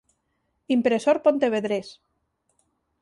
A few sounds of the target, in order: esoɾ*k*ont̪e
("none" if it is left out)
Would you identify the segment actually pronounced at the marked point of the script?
p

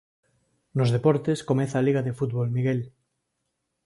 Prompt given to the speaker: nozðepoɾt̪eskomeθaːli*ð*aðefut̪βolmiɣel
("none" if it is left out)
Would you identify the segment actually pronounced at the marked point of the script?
ɣ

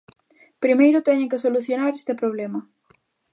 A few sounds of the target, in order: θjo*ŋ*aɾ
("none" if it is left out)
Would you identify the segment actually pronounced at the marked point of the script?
n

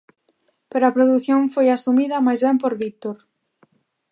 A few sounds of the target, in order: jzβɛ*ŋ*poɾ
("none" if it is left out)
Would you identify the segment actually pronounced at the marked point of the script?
m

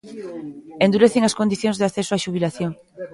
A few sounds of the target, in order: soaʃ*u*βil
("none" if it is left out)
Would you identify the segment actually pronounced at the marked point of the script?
u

